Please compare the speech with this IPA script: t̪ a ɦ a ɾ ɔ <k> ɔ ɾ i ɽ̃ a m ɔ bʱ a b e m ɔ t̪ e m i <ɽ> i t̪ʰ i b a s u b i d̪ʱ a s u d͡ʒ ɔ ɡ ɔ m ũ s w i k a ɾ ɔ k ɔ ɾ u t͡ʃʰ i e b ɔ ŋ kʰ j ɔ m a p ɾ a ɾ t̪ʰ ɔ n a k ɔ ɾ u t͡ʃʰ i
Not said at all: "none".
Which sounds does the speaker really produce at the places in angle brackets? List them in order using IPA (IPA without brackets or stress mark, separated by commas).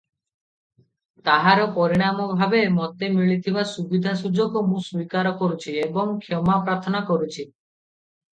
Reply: p, ɭ